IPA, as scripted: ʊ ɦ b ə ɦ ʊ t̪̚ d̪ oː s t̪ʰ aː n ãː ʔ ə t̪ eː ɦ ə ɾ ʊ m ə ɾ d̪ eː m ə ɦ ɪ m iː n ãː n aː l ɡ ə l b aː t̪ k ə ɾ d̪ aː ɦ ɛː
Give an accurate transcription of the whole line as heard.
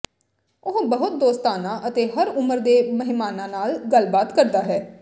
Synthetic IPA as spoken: ʊ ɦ b ə ɦ ʊ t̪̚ d̪ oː s t̪ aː n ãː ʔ ə t̪ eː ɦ ə ɾ ʊ m ə ɾ d̪ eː m ə ɦ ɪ m aː n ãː n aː l ɡ ə l b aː t̪ k ə ɾ d̪ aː ɦ ɛː